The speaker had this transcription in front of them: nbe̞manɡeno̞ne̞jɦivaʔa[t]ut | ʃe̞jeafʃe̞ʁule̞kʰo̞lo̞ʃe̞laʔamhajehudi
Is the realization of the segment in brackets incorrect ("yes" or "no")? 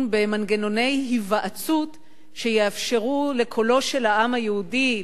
yes